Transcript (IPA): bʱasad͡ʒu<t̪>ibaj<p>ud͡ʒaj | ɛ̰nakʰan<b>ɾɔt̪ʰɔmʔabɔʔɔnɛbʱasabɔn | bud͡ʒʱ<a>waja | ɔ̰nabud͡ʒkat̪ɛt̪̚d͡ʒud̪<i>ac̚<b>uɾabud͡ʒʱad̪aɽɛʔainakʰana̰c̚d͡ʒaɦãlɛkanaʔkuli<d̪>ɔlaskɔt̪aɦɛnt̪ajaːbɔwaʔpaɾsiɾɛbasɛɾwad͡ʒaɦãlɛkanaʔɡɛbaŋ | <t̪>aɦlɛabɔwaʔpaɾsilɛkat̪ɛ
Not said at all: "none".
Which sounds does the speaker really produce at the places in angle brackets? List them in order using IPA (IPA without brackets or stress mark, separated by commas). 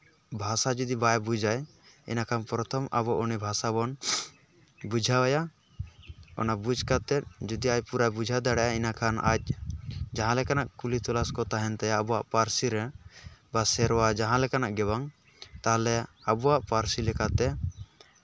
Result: d̪, b, p, a, i, p, t̪, t̪